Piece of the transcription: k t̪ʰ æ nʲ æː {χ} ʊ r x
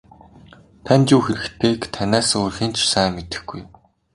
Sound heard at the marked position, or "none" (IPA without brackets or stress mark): s